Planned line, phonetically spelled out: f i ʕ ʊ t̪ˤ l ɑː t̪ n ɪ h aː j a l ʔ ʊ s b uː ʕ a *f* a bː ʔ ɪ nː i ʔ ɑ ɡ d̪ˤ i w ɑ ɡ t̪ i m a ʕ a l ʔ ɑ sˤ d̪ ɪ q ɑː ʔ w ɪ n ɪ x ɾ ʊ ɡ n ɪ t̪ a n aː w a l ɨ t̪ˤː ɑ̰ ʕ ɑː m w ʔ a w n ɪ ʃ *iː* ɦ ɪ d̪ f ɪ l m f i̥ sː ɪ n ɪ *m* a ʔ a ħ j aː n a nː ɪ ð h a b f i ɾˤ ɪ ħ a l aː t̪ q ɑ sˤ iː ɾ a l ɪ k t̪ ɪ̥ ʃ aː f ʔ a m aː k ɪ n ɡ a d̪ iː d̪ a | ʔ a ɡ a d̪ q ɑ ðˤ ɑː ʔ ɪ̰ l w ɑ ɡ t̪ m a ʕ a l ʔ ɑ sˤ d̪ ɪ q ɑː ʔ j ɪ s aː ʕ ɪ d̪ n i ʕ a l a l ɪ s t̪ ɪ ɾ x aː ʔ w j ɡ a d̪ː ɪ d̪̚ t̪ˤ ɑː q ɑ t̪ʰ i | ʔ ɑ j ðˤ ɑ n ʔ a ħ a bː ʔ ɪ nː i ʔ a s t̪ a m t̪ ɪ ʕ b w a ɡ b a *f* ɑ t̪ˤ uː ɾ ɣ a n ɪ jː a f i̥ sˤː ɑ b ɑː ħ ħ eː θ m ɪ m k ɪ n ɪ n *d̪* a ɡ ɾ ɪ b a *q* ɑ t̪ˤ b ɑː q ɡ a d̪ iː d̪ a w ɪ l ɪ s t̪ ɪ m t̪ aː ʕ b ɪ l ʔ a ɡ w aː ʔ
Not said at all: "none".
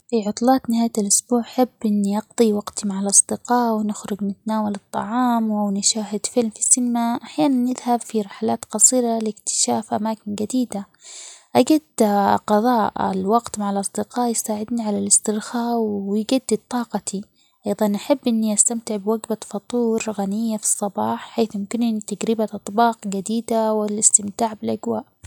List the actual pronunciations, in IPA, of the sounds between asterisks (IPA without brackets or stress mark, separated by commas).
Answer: ħ, aː, m, f, t̪, ʔ